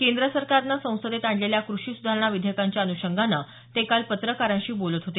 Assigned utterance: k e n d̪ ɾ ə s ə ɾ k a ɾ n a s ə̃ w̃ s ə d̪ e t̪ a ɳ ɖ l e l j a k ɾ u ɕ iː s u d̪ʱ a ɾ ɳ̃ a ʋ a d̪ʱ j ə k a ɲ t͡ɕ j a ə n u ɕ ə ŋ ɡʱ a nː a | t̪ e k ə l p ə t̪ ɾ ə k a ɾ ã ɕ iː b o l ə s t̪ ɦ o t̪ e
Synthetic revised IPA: k e n d̪ ɾ ə s ə ɾ k a ɾ n a s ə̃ w̃ s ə d̪ e t̪ a ɳ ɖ l e l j a k ɾ u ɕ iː s u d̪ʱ a ɾ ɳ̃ a ʋ i d̪ʱ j ə k a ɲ t͡ɕ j a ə n u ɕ ə ŋ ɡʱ a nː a | t̪ e k a l p ə t̪ ɾ ə k a ɾ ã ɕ iː b o l ə t̪ ɦ o t̪ e